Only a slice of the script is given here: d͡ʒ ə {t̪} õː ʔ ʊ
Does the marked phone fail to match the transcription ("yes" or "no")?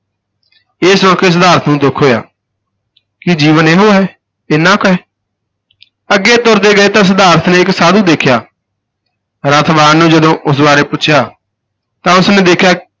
yes